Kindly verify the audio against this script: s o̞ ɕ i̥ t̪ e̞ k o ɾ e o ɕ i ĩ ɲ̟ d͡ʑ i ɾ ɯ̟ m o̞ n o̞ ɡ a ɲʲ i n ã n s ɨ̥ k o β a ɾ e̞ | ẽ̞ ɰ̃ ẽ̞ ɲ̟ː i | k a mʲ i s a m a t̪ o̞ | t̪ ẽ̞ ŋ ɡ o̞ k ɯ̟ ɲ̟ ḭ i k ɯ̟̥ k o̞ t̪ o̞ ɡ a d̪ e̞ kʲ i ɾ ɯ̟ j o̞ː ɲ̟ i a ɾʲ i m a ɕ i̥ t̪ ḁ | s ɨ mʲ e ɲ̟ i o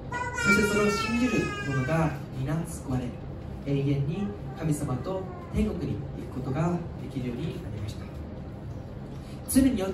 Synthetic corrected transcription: s o̞ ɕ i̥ t̪ e̞ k o ɾ e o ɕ i ĩ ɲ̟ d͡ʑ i ɾ ɯ̟ m o̞ n o̞ ɡ a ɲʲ i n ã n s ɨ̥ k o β a ɾ e̞ | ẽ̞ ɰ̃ ẽ̞ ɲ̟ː i | k a mʲ i s a m a t̪ o̞ | t̪ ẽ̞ ŋ ɡ o̞ k ɯ̟ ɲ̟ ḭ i k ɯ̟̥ k o̞ t̪ o̞ ɡ a d̪ e̞ kʲ i ɾ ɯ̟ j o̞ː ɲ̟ i a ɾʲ i m a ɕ i̥ t̪ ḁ | t͡s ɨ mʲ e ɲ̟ i o